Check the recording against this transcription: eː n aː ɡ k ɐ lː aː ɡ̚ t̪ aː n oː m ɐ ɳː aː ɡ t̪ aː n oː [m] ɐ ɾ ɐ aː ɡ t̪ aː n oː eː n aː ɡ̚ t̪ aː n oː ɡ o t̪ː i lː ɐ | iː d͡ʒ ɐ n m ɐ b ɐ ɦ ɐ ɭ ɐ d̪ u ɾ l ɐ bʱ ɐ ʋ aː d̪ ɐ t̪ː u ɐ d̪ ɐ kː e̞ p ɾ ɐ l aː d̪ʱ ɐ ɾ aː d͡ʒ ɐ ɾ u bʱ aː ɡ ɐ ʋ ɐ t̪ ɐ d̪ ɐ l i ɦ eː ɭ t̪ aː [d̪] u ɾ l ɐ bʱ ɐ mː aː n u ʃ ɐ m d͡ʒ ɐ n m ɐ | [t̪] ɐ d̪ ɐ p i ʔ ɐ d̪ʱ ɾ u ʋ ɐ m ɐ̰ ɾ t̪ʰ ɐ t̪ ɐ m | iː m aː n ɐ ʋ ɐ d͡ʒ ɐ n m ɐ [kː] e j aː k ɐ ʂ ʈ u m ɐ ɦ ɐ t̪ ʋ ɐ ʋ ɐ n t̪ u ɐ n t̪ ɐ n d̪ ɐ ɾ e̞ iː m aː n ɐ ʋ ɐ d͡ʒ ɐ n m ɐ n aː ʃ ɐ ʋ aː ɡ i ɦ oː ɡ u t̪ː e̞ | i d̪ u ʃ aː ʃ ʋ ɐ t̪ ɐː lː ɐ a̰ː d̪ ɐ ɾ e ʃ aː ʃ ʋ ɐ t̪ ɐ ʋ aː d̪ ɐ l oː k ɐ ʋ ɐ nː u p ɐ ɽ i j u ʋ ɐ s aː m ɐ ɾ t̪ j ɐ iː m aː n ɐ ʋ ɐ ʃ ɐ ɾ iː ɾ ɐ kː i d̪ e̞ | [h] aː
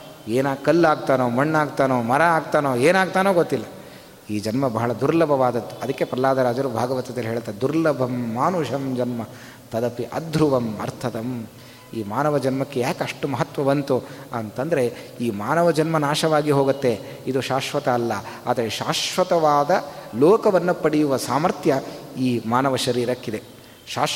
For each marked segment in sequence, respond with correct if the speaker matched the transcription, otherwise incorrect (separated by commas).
correct, correct, correct, correct, incorrect